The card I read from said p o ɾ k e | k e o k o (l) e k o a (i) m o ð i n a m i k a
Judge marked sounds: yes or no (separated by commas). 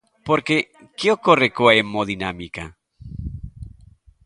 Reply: no, no